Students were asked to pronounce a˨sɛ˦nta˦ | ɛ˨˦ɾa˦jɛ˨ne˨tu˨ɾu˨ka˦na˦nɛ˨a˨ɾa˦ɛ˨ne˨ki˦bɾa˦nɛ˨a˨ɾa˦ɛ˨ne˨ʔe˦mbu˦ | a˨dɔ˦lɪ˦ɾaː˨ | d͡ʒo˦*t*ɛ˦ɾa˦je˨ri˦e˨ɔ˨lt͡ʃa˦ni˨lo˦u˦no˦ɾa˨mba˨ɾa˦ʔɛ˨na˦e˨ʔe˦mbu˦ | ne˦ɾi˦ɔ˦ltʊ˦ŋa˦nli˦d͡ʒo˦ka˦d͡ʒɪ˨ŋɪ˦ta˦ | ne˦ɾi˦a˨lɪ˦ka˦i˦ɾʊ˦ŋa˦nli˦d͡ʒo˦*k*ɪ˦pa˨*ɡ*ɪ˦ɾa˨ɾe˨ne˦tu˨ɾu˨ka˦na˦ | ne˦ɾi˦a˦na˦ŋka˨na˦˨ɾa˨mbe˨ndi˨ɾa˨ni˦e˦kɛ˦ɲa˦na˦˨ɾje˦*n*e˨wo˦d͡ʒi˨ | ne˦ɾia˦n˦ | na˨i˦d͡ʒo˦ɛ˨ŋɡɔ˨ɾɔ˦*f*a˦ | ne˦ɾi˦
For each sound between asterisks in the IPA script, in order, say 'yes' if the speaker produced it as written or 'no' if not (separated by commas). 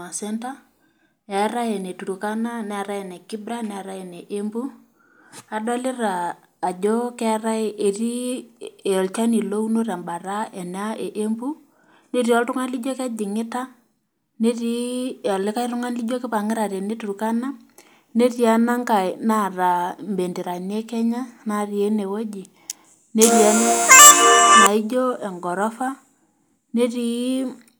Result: no, yes, no, yes, yes